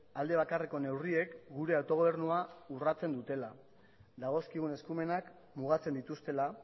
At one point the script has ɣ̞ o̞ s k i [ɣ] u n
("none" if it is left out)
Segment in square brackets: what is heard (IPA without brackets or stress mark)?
ɣ